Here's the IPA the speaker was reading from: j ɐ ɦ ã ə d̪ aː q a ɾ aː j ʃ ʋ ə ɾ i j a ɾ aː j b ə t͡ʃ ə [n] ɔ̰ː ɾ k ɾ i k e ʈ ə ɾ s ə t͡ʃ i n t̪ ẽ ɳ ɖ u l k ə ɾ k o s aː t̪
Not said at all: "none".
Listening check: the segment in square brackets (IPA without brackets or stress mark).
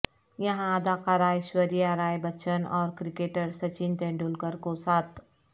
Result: n